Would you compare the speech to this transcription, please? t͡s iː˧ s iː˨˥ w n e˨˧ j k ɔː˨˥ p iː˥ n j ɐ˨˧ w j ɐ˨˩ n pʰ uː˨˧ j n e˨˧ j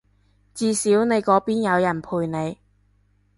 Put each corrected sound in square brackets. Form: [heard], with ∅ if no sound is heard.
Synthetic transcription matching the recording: t͡s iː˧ s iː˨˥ w n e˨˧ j k ɔː˨˥ p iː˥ n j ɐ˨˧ w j ɐ˨˩ n pʰ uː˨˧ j n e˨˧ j